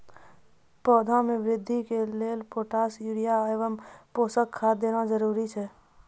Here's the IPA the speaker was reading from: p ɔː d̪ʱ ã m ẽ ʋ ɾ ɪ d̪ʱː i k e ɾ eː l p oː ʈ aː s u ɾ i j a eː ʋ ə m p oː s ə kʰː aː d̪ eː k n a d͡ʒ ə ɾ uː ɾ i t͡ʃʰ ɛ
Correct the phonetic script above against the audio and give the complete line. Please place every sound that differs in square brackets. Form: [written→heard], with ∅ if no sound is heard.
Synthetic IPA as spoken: p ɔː d̪ʱ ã m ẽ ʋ ɾ ɪ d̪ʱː i k e [ɾ→l] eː l p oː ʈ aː s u ɾ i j a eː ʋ ə m p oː s ə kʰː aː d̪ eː [k→∅] n a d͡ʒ ə ɾ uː ɾ i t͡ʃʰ ɛ